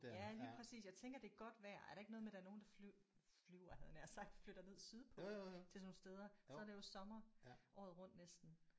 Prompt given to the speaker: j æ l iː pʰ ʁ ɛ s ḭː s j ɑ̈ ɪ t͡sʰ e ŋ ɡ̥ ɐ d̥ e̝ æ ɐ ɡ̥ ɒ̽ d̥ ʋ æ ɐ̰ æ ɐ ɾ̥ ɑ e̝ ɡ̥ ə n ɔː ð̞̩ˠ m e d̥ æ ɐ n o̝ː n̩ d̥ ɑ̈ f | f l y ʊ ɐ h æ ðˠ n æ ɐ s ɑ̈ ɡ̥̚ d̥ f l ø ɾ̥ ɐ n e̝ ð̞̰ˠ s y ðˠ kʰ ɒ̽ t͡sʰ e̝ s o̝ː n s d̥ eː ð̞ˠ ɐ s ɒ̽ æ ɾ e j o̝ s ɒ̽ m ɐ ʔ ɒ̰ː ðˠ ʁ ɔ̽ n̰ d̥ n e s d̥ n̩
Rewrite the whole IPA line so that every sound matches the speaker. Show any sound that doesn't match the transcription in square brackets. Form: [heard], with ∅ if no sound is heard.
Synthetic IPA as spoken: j æ l iː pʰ ʁ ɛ s ḭː s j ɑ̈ ɪ t͡sʰ e ŋ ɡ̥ ɐ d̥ e̝ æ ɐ ɡ̥ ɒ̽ d̥ ʋ æ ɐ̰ æ ɐ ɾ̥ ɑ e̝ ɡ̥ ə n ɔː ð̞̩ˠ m e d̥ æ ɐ n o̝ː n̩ d̥ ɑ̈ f | f l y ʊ ɐ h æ ðˠ n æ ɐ s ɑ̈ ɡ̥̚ d̥ f l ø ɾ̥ ɐ n e̝ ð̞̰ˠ s y ðˠ [pʰ] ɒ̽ t͡sʰ e̝ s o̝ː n s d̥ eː ð̞ˠ ɐ s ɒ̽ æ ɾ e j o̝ s ɒ̽ m ɐ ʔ ɒ̰ː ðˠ ʁ ɔ̽ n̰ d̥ n e s d̥ n̩